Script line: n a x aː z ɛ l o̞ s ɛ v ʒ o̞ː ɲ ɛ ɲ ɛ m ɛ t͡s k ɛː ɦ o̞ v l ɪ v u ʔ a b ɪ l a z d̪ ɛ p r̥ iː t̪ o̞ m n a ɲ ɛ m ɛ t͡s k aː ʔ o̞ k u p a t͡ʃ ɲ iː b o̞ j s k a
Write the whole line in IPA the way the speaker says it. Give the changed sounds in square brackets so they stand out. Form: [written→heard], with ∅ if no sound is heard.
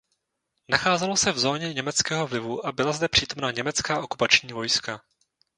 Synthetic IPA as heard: n a x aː z ɛ l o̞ s ɛ v [ʒ→z] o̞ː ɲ ɛ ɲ ɛ m ɛ t͡s k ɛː ɦ o̞ v l ɪ v u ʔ a b ɪ l a z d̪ ɛ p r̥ iː t̪ o̞ m n a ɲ ɛ m ɛ t͡s k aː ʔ o̞ k u p a t͡ʃ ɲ iː [b→v] o̞ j s k a